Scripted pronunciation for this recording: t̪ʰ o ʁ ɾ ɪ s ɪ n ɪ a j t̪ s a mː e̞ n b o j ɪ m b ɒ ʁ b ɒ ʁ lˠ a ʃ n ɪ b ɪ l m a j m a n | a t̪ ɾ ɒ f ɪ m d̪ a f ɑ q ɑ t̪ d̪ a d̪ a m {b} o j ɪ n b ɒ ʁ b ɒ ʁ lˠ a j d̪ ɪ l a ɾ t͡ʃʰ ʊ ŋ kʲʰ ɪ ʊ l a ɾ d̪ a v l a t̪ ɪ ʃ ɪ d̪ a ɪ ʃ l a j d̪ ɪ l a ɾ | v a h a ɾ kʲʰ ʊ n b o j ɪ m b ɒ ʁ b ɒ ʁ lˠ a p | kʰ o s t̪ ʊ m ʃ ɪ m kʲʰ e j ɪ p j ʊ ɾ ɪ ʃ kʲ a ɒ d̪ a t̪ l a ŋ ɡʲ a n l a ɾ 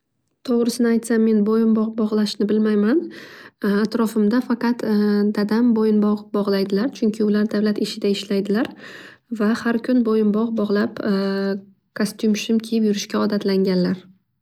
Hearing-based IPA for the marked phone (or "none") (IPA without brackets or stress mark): b